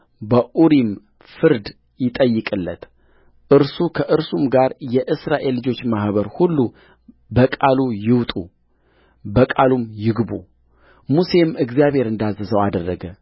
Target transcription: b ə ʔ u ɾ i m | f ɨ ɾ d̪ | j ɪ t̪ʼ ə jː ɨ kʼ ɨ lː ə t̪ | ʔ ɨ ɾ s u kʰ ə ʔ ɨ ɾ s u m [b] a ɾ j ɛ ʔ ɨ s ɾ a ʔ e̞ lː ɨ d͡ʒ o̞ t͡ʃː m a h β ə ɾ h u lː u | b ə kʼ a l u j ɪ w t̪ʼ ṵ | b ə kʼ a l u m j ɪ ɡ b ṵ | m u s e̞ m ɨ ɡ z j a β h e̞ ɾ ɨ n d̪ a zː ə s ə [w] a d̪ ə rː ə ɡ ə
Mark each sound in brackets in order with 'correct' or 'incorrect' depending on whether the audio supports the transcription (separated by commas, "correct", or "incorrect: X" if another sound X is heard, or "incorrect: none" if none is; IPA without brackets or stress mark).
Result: incorrect: ɡ, correct